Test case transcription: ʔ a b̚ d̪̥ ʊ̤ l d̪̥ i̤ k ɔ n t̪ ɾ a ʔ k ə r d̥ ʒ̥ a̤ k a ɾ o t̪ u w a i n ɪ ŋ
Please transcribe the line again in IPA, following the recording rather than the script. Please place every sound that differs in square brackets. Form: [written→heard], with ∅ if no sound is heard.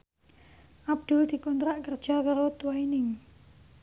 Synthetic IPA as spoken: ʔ a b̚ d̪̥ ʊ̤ l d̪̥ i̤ k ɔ n t̪ ɾ a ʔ k ə r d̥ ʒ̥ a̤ k a ɾ o t̪ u w a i n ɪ ŋ